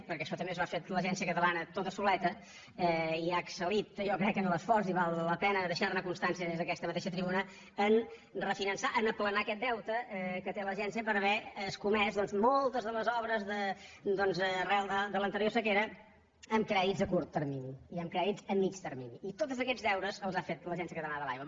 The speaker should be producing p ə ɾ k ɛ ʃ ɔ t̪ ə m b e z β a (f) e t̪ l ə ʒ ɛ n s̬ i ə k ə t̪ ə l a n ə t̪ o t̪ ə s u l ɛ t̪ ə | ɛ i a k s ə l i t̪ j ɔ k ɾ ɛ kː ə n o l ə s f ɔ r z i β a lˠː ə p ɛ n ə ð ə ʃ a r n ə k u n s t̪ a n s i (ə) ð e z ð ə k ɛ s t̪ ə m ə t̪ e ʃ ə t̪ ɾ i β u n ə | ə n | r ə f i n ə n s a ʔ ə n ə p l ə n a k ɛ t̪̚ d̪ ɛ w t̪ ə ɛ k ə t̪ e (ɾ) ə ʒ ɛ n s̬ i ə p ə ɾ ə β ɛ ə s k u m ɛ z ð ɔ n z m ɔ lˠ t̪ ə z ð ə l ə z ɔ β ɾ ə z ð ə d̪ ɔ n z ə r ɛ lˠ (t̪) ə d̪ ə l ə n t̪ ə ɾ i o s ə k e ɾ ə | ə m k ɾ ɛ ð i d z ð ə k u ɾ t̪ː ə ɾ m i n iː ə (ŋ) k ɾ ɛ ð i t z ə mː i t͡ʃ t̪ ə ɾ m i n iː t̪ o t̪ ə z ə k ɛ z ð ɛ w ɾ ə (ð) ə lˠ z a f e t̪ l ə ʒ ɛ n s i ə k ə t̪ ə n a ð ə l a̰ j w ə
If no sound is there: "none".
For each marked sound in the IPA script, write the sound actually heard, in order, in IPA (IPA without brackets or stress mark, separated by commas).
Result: f, ə, l, d̪, m, z